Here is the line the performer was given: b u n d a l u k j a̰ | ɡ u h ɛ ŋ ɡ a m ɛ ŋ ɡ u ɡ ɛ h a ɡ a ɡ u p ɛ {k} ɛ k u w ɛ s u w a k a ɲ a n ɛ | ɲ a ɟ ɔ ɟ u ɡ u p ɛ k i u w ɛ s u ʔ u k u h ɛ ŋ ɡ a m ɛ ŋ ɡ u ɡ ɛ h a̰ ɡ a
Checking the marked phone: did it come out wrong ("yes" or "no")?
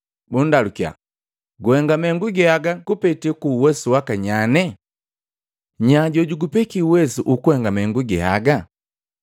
yes